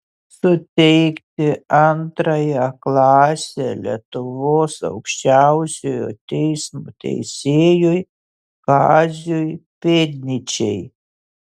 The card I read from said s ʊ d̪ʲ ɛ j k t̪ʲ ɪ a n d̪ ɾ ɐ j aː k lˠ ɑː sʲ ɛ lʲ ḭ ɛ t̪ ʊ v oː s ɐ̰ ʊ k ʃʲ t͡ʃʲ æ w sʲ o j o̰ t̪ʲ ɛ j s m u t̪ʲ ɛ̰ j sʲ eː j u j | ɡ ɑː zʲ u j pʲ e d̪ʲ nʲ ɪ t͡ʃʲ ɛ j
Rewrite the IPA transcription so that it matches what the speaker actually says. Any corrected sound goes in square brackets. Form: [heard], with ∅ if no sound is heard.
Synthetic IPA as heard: s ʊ [t̪ʲ] ɛ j k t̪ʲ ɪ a n [t̪] ɾ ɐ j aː k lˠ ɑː sʲ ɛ lʲ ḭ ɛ t̪ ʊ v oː s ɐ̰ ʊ k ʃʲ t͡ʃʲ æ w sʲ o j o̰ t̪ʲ ɛ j s m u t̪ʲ ɛ̰ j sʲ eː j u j | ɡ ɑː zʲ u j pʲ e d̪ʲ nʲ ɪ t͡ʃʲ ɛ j